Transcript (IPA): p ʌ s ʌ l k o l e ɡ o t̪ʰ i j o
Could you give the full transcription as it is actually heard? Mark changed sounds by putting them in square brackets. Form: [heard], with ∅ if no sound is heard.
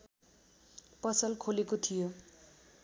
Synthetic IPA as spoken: p ʌ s ʌ l [kʰ] o l e [k] o t̪ʰ i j o